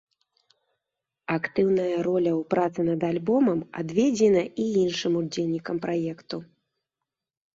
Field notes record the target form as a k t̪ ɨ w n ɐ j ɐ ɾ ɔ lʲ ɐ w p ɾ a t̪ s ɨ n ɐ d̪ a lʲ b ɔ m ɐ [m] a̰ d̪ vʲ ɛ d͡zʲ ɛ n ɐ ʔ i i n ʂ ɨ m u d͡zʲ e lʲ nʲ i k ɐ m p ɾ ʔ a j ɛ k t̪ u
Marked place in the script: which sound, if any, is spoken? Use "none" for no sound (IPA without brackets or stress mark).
m